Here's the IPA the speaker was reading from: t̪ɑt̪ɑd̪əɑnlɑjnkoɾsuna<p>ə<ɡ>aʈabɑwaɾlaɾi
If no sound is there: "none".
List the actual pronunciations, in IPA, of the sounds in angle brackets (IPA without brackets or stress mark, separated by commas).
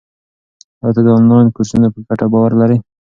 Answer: p, ɡ